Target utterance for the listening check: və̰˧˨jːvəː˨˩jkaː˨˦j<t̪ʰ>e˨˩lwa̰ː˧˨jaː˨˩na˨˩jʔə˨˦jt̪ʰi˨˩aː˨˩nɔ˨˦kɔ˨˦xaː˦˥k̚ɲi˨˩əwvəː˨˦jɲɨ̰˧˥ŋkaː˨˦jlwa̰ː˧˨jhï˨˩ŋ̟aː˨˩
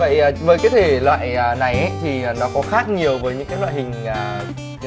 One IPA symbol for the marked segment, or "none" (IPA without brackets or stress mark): t̪ʰ